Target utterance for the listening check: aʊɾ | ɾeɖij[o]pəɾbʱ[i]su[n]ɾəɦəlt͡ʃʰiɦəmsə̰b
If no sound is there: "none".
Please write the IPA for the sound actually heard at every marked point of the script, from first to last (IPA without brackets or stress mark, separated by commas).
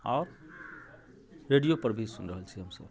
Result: o, i, n